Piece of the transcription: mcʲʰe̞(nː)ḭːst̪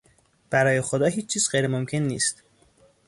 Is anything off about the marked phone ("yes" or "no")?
no